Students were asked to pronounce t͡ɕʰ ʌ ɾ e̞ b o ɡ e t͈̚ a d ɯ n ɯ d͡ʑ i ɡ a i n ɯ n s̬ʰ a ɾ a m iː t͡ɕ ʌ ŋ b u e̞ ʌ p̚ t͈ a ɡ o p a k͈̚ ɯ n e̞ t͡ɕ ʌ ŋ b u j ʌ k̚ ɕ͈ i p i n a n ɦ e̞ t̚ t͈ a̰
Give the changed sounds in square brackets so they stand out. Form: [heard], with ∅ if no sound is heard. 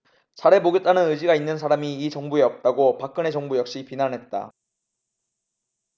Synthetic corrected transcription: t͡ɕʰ [a] ɾ e̞ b o ɡ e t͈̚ a [n] ɯ n ɯ d͡ʑ i ɡ a i [nː] ɯ n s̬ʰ a ɾ a m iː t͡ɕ ʌ ŋ b u e̞ ʌ p̚ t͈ a ɡ o p a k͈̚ ɯ n e̞ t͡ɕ ʌ ŋ b u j ʌ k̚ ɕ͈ i p i n a n ɦ e̞ t̚ t͈ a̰